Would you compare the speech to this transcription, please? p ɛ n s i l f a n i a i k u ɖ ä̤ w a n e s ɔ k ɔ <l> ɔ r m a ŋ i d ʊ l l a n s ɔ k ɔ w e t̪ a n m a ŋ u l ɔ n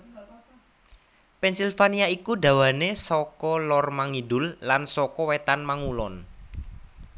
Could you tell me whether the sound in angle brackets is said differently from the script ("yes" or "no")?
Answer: no